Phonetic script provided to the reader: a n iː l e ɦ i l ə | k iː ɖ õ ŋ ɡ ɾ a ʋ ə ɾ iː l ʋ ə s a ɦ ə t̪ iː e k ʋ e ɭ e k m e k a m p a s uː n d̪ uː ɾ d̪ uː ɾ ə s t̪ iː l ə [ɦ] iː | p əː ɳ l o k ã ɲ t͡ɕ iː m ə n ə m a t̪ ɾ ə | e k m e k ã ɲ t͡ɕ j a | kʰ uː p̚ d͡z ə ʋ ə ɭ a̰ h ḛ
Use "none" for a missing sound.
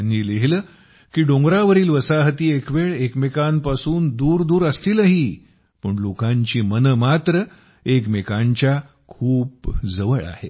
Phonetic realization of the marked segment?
ɦ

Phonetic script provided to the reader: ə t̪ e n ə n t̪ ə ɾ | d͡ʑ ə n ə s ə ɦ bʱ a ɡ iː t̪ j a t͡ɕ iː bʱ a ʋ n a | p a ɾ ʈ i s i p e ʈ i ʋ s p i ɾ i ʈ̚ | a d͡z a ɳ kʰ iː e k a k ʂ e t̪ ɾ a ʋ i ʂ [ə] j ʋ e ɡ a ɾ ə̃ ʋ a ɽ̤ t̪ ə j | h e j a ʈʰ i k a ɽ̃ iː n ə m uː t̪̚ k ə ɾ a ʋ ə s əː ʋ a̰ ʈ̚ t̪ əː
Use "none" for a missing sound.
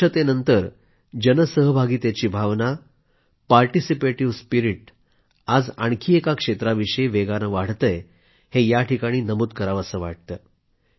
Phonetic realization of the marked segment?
ə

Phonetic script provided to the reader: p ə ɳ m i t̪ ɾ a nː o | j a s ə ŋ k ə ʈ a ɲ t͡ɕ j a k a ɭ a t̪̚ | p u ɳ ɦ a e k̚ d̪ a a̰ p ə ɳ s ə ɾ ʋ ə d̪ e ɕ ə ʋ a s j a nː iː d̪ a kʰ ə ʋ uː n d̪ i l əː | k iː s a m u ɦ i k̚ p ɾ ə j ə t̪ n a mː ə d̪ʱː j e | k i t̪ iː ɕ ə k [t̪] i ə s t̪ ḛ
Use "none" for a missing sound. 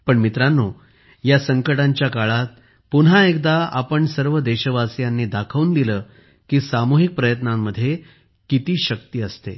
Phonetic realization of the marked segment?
t̪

